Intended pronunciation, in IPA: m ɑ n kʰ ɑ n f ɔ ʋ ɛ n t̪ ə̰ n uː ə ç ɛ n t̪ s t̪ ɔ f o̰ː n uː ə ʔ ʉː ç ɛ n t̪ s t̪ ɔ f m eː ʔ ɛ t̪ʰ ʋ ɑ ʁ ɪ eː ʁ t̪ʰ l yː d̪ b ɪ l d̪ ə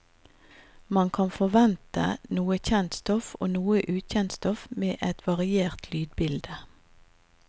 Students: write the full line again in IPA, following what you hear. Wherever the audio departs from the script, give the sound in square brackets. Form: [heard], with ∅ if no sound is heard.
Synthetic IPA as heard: m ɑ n kʰ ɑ n f ɔ ʋ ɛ n t̪ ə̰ n uː ə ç ɛ n t̪ s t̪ ɔ f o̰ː n uː ə ʔ ʉː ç ɛ n t̪ s t̪ ɔ f m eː ʔ ɛ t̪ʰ ʋ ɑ ʁ ɪ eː ʁ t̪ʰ l yː d̪ b ɪ l d̪ ə